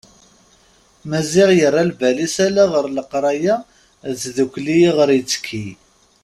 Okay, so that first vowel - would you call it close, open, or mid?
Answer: open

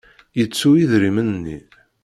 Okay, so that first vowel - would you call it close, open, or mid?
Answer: mid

